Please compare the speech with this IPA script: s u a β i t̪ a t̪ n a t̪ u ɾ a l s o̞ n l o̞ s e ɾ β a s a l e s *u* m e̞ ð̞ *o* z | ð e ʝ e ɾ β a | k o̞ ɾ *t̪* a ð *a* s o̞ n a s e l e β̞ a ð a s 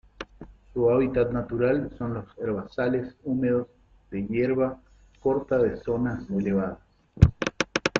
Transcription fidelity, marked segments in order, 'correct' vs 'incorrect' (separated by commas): correct, correct, correct, incorrect